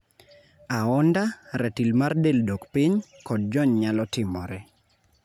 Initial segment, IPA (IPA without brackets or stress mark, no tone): a